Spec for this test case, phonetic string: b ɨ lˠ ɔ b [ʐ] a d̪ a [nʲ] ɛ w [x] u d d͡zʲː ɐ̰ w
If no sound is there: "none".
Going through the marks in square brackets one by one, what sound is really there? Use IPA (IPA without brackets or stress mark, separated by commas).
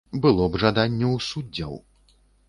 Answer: ʐ, nʲː, s